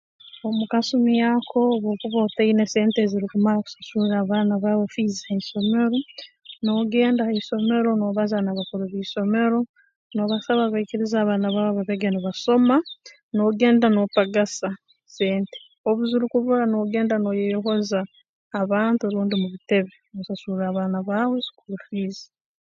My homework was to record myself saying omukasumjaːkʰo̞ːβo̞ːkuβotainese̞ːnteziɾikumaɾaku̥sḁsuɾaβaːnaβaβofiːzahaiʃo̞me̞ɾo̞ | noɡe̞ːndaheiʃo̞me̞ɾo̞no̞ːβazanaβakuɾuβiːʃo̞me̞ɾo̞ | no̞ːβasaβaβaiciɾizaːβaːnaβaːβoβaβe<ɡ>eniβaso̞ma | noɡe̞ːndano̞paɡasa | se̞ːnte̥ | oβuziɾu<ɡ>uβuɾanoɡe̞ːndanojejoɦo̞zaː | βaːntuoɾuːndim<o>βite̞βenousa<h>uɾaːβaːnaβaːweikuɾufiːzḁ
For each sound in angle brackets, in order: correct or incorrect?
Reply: correct, incorrect: k, incorrect: u, incorrect: s

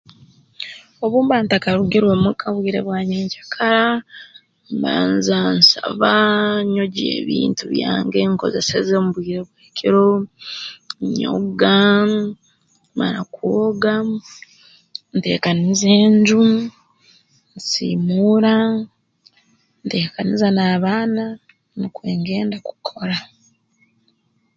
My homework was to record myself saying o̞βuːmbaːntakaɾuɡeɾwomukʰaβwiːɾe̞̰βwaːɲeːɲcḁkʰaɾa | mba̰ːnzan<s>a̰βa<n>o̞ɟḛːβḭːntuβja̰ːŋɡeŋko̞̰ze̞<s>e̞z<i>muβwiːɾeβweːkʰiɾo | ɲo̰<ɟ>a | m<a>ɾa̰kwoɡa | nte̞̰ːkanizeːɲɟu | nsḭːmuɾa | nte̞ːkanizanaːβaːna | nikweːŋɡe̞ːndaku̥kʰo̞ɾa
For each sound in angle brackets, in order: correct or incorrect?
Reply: correct, incorrect: ɲ, correct, incorrect: e, incorrect: ɡ, correct

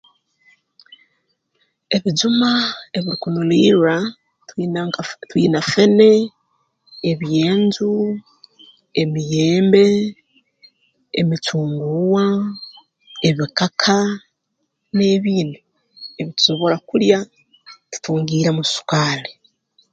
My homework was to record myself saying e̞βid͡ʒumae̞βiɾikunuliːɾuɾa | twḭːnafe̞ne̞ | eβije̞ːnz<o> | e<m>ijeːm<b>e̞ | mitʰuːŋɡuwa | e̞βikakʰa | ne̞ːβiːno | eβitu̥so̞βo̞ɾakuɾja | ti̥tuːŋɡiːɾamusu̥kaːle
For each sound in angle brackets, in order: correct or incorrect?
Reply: incorrect: u, correct, correct

